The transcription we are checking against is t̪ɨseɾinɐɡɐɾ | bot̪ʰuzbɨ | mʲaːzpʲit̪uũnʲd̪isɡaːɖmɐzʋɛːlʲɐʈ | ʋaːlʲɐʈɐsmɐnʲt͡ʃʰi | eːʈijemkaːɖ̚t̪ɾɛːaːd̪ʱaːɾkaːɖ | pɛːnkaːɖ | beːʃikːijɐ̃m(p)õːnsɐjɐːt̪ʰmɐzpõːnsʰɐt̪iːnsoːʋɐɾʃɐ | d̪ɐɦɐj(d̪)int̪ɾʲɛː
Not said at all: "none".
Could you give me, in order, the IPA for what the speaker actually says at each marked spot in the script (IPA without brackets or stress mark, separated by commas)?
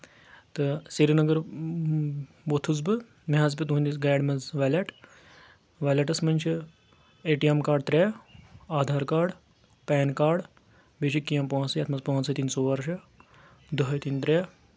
p, t̪